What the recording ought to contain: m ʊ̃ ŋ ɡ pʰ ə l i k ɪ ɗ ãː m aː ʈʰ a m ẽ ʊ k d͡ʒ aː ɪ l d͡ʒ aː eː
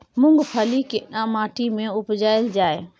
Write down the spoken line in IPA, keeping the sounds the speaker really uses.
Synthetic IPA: m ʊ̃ ŋ ɡ pʰ ə l i k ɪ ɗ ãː m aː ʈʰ i m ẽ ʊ p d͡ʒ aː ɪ l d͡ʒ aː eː

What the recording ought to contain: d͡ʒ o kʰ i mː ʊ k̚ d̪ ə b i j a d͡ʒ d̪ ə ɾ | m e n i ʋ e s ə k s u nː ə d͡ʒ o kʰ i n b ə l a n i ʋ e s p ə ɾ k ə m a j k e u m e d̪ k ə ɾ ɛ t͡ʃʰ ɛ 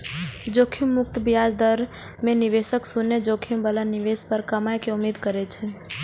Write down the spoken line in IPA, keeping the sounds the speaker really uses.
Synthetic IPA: d͡ʒ o kʰ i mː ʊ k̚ t̪ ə b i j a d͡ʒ d̪ ə ɾ | m e n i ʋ e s ə k s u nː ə d͡ʒ o kʰ i m b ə l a n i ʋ e s p ə ɾ k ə m a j k e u m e d̪ k ə ɾ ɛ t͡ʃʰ ɛ

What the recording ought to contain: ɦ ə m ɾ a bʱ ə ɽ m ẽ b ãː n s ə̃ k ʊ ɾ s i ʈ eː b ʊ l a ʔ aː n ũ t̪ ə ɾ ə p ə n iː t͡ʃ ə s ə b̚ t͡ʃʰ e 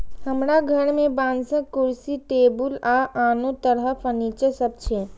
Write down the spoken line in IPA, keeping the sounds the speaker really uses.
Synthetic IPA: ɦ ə m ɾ a ɡʱ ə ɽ m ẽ b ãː n s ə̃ k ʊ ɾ s i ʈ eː b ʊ l a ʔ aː n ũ t̪ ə ɾ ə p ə n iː t͡ʃ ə s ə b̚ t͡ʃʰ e

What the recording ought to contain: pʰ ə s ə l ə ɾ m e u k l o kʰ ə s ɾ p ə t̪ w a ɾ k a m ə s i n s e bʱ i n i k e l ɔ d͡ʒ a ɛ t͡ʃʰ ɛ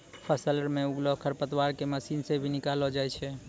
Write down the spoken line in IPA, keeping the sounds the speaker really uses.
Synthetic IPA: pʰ ə s ə l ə ɾ m e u ɡ l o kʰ ə ɾ p ə t̪ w a ɾ k e m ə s i n s e bʱ i n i k a l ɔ d͡ʒ a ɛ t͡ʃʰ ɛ

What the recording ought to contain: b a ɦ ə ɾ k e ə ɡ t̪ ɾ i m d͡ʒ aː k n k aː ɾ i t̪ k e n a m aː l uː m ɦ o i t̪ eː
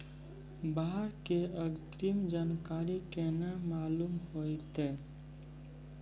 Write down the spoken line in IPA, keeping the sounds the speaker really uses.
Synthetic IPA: b a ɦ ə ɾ k e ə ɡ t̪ ɾ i m d͡ʒ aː n k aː ɾ i k e n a m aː l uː m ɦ o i t̪ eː

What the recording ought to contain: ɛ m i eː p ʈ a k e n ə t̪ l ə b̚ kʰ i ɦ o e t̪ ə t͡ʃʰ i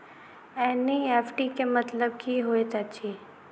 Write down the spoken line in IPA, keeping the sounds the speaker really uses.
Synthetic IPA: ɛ n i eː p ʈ i k e m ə t̪ l ə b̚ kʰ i ɦ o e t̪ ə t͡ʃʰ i

